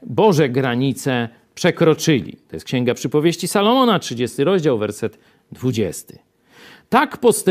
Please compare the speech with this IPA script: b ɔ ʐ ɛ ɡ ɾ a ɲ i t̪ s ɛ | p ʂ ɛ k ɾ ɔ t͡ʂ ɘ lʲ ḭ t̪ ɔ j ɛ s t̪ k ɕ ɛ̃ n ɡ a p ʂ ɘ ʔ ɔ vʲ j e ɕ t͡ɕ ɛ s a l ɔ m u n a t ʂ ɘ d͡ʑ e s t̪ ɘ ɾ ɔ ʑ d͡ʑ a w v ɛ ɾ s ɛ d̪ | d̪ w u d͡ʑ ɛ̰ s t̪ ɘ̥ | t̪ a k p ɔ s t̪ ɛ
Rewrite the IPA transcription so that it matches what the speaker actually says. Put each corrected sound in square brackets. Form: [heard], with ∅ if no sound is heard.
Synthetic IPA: b ɔ ʐ ɛ ɡ ɾ a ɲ i t̪ s ɛ | p ʂ ɛ k ɾ ɔ t͡ʂ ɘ lʲ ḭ t̪ ɔ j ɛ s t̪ k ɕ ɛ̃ [ŋ] ɡ a p ʂ ɘ [p] ɔ vʲ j e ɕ t͡ɕ [i] s a l ɔ m [ɔ] n a t ʂ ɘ d͡ʑ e s t̪ ɘ ɾ ɔ ʑ d͡ʑ a w v ɛ ɾ s ɛ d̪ | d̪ [v] u d͡ʑ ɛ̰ s t̪ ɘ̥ | t̪ a k p ɔ s t̪ ɛ